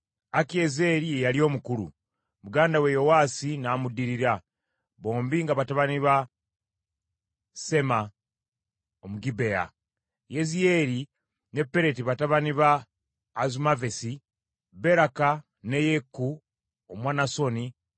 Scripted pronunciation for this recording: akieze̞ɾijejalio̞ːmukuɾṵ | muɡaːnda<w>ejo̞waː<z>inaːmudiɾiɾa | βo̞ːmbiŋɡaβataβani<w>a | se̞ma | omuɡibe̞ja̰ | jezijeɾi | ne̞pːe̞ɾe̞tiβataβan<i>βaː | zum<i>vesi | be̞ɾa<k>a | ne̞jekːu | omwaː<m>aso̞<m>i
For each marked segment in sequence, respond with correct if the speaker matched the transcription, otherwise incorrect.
correct, incorrect, incorrect, correct, incorrect, correct, incorrect, incorrect

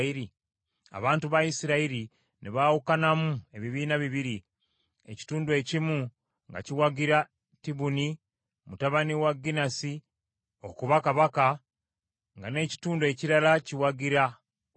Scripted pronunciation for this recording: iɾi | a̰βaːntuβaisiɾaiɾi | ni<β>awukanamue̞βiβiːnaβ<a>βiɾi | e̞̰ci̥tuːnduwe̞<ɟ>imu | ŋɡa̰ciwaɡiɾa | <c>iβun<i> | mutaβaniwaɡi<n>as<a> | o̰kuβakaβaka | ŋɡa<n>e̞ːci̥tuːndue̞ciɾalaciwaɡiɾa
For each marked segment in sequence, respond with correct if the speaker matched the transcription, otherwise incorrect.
correct, incorrect, incorrect, incorrect, correct, correct, incorrect, correct

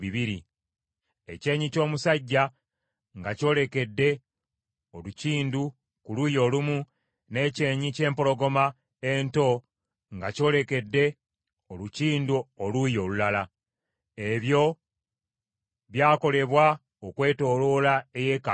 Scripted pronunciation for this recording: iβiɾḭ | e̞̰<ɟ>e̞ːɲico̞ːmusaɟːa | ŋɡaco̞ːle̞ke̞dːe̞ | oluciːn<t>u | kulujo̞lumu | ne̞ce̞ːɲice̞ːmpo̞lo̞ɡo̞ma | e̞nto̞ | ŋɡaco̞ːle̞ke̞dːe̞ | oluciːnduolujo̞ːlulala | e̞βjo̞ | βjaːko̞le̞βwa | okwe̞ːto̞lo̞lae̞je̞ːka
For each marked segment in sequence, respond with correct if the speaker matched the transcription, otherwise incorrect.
incorrect, incorrect

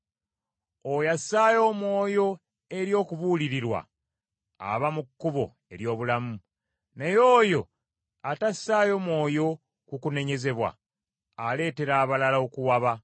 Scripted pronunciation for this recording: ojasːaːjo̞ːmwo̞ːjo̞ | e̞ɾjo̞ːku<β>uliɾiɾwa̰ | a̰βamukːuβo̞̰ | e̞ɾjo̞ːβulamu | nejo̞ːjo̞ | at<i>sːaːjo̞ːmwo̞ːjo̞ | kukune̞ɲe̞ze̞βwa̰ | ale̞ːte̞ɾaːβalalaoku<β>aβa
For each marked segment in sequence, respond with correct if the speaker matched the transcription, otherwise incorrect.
correct, incorrect, incorrect

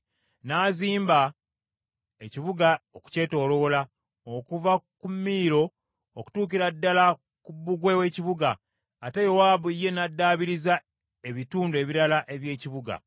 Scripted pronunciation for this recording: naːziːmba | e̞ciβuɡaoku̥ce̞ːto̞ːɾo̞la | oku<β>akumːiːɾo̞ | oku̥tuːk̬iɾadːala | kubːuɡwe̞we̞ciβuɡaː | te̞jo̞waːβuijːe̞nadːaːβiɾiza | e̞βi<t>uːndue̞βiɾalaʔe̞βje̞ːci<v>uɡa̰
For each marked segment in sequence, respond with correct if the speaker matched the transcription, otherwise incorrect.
incorrect, correct, incorrect

